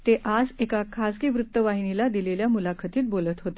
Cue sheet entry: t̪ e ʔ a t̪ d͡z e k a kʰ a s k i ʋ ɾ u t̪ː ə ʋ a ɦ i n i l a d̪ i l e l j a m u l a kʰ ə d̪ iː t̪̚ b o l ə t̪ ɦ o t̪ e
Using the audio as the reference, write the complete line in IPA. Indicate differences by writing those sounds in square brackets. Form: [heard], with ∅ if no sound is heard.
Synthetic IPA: t̪ e ʔ a [∅] d͡z e k a kʰ a s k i ʋ ɾ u t̪ː ə ʋ a ɦ i n i l a d̪ i l e l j a m u l a kʰ ə [t̪] iː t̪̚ b o l ə t̪ ɦ o t̪ e